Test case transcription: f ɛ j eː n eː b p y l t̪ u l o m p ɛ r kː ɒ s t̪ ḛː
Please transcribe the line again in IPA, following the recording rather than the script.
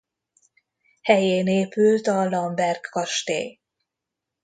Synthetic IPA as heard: h ɛ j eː n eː p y l t̪ ɒ l ɒ m b ɛ r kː ɒ ʃ t̪ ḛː